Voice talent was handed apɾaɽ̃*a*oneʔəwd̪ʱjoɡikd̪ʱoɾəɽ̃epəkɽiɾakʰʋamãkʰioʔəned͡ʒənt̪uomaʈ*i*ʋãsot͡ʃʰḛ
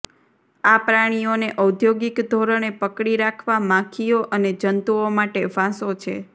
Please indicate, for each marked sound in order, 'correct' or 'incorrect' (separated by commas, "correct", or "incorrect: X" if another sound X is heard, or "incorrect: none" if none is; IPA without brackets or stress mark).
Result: incorrect: i, incorrect: e